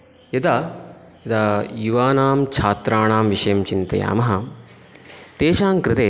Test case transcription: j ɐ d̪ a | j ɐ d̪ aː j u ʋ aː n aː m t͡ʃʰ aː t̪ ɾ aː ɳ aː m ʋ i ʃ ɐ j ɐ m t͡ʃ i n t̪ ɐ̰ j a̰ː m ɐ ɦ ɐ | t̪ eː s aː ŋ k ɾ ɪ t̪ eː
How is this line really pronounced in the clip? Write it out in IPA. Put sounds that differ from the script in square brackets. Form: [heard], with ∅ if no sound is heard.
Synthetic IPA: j ɐ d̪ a | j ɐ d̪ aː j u ʋ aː n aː m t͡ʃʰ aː t̪ ɾ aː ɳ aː m ʋ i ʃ ɐ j ɐ m t͡ʃ i n t̪ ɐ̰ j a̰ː m ɐ ɦ ɐ | t̪ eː [ʃ] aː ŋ k ɾ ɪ t̪ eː